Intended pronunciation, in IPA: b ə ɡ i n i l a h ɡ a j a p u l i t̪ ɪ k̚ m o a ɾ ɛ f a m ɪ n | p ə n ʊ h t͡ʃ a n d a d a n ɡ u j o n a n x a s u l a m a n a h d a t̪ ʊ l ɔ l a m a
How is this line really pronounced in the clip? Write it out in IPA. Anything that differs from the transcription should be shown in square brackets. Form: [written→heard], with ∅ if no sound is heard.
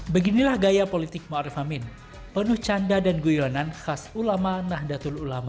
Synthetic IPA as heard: b ə ɡ i n i l a h ɡ a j a p [u→o] l i t̪ ɪ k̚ m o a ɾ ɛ f a m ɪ n | p ə n ʊ h t͡ʃ a n d a d a n ɡ u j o n a n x a s u l a m a n a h d a t̪ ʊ l [ɔ→u] l a m a